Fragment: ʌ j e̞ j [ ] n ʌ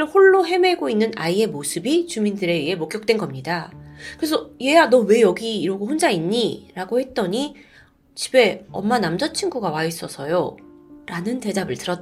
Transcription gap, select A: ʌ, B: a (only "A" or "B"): B